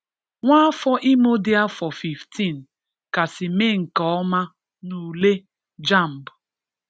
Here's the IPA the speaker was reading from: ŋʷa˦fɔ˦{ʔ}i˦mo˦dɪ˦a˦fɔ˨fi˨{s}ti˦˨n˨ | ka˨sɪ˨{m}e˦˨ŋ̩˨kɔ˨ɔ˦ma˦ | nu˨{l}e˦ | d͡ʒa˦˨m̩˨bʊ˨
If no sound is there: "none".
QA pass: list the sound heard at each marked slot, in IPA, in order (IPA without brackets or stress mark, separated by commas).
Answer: ʔ, f, m, l